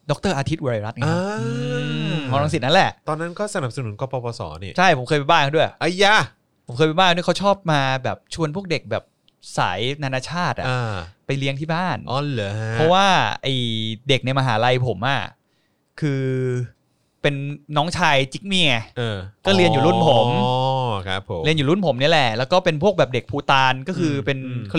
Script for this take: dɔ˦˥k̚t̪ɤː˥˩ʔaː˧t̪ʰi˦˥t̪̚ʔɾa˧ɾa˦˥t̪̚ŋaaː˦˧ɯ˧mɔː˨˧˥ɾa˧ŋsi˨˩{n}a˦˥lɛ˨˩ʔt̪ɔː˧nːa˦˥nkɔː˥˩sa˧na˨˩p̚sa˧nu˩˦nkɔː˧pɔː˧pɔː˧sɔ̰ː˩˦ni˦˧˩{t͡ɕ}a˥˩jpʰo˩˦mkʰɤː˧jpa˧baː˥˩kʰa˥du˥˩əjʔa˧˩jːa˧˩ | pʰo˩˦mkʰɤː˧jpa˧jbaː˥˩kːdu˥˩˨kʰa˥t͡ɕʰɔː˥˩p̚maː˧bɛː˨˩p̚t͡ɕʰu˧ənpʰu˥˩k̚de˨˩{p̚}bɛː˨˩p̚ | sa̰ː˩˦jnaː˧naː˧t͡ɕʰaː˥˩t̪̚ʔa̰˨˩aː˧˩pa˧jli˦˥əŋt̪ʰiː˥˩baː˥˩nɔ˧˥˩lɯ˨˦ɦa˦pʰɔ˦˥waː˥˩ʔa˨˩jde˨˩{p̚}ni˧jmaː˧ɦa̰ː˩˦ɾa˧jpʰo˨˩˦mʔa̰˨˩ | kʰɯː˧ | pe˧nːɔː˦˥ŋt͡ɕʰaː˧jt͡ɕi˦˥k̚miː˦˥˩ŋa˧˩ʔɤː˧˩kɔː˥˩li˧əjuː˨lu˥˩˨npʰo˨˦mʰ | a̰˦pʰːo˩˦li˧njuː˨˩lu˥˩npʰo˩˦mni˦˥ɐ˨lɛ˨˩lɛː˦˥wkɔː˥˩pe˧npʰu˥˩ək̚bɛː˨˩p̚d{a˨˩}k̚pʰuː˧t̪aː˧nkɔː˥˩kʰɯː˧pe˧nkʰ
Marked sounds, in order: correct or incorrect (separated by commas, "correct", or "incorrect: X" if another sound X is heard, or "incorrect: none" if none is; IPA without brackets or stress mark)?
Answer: correct, incorrect: t͡ɕʰ, incorrect: k̚, incorrect: k̚, incorrect: e˨˩